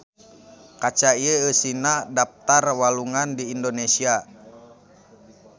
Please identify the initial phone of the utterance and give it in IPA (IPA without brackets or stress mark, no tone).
k